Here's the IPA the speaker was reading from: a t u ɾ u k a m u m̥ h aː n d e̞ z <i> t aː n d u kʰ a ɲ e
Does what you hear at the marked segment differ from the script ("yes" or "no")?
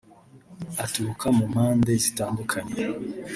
no